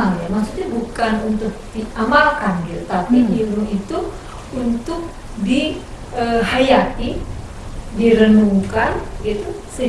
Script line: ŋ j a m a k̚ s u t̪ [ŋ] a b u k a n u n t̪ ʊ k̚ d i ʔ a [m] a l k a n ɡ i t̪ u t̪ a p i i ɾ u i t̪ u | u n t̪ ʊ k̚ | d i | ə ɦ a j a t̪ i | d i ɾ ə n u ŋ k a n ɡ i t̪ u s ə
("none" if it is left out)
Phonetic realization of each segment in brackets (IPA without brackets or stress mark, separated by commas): ɲ, m